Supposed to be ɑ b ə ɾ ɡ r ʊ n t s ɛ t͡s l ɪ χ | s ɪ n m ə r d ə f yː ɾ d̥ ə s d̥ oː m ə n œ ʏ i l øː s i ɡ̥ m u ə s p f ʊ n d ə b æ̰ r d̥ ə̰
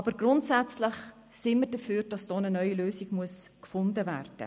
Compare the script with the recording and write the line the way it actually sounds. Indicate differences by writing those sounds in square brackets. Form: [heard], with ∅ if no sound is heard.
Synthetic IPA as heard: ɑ b ə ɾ ɡ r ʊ n t s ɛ t͡s l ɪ χ | s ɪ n m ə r d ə f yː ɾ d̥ [ɑ] s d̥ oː [n] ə n œ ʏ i l øː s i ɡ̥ m u ə s [k] f ʊ n d ə [v] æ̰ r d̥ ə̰